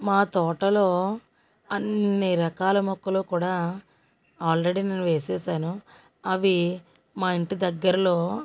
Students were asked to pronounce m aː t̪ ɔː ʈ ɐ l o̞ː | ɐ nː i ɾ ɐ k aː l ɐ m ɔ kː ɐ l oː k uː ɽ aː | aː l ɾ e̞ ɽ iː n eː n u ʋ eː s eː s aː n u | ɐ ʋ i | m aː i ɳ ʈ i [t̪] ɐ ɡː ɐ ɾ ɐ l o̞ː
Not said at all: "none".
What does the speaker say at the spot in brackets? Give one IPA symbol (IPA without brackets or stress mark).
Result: d̪